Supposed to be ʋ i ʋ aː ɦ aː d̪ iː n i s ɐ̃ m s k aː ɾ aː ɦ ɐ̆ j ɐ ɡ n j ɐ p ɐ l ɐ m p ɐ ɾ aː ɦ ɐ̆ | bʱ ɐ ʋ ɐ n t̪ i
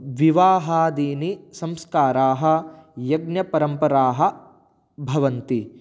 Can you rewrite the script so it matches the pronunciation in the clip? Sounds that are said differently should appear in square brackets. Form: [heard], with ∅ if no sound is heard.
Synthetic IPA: ʋ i ʋ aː ɦ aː d̪ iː n i s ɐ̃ m s k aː ɾ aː ɦ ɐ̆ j ɐ ɡ n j ɐ p ɐ [ɾ] ɐ m p ɐ ɾ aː ɦ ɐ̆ | bʱ ɐ ʋ ɐ n t̪ i